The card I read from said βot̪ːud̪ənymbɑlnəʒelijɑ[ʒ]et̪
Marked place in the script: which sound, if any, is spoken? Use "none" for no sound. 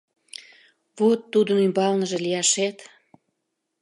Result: ʃ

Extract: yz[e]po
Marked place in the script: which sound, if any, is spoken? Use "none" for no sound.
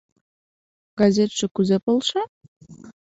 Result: e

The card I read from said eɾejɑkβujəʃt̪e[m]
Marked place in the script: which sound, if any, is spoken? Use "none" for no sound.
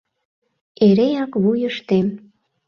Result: m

